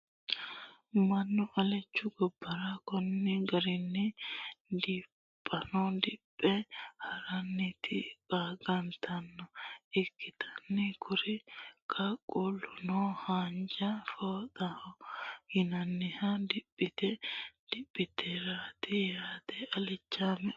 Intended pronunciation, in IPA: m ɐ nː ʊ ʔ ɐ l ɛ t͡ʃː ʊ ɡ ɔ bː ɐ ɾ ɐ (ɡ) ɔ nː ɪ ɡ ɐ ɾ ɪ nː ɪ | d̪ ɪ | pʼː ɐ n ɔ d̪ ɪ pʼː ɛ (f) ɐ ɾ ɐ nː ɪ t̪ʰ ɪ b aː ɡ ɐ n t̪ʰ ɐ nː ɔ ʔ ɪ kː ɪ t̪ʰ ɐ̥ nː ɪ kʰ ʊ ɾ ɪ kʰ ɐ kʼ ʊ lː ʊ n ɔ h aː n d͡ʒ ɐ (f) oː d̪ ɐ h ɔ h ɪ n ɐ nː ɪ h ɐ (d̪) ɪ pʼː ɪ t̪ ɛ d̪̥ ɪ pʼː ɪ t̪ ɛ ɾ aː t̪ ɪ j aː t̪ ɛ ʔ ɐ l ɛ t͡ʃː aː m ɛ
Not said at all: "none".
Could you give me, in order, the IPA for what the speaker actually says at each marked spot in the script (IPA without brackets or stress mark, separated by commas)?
k, h, f, d̪